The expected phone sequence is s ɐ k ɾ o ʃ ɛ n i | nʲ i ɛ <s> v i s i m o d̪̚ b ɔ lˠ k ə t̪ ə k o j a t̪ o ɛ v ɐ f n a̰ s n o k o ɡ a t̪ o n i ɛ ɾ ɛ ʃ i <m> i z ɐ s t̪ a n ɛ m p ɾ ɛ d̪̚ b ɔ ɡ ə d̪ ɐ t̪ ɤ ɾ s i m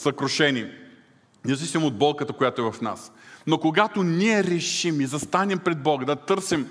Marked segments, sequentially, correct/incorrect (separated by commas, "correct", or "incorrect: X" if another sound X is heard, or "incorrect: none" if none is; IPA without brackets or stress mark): incorrect: z, correct